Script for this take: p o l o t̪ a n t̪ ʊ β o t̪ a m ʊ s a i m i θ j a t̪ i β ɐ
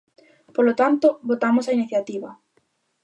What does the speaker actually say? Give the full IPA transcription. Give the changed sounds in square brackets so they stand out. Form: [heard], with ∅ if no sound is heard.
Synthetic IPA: p o l o t̪ a n t̪ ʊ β o t̪ a m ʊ s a i [n] i θ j a t̪ i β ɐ